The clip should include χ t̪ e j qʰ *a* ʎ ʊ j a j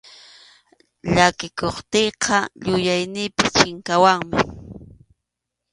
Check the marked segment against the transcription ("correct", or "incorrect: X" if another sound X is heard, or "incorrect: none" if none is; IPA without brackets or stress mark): incorrect: ɑ